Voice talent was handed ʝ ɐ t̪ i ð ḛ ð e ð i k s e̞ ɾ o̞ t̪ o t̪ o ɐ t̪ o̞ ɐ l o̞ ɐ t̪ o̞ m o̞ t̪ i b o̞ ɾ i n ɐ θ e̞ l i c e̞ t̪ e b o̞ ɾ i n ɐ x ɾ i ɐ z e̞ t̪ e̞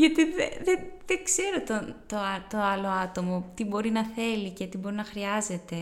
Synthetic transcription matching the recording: ʝ ɐ t̪ i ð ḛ ð e ð e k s e̞ ɾ o̞ t̪ o t̪ o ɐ t̪ o̞ ɐ l o̞ ɐ t̪ o̞ m o̞ t̪ i b o̞ ɾ i n ɐ θ e̞ l i c e̞ t̪ i b o̞ ɾ i n ɐ x ɾ i ɐ z e̞ t̪ e̞